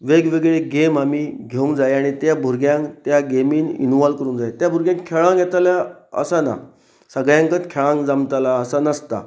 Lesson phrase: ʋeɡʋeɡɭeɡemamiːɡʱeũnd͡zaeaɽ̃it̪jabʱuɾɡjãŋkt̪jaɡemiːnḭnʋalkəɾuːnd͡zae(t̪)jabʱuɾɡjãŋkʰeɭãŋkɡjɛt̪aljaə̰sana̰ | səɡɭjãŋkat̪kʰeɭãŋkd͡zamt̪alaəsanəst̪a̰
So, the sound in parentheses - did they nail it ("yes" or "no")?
yes